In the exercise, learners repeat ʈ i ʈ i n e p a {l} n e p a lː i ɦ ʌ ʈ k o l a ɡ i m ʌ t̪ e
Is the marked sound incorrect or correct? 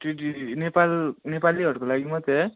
correct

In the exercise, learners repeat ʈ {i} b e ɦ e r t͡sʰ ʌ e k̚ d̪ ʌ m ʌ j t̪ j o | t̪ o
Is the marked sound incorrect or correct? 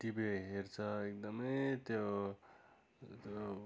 correct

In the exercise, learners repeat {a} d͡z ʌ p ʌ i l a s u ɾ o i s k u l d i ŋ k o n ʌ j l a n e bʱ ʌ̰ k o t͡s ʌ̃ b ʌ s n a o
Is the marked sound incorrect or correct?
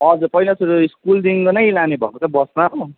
incorrect: ʌ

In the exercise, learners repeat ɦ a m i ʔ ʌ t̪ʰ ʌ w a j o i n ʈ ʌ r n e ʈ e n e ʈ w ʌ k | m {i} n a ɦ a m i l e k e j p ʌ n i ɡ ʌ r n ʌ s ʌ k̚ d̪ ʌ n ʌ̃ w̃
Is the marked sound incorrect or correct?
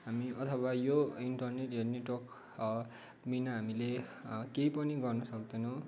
correct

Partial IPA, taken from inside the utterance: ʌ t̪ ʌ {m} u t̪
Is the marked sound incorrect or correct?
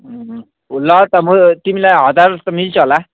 correct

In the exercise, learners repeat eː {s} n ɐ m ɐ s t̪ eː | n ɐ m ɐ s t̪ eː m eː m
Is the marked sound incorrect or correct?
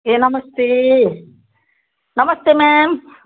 incorrect: none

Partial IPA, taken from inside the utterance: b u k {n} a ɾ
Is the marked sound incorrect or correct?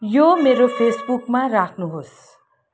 incorrect: m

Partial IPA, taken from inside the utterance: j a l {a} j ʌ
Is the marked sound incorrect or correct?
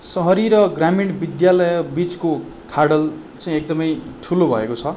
incorrect: ʌ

